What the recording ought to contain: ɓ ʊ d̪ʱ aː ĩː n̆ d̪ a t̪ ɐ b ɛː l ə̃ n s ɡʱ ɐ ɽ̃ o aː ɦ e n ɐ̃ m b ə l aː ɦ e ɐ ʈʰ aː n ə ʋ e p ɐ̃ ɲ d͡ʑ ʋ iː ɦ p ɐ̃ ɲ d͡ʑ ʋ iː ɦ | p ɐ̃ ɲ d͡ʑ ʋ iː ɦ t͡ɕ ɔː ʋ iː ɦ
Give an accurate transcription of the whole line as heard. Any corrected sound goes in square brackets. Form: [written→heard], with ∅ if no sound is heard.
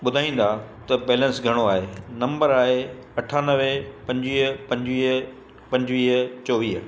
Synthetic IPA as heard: ɓ ʊ d̪ʱ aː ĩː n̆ d̪ a t̪ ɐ b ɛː l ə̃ n s ɡʱ ɐ ɽ̃ o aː ɦ e n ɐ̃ m b ə [l→ɾ] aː ɦ e ɐ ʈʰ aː n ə ʋ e p ɐ̃ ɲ d͡ʑ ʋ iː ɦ p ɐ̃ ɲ d͡ʑ ʋ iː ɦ | p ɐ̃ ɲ d͡ʑ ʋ iː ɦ t͡ɕ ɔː ʋ iː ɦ